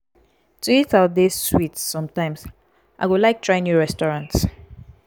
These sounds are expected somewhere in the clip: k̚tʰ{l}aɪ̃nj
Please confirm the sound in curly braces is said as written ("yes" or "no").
no